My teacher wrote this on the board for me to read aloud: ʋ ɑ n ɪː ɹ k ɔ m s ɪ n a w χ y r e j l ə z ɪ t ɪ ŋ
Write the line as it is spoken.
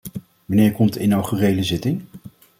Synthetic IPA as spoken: ʋ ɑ n ɪː ɹ k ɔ m t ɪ n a w χ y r e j l ə z ɪ t ɪ ŋ